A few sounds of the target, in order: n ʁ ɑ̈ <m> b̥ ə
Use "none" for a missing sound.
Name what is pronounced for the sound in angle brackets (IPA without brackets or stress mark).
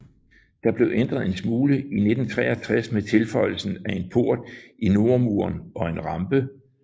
m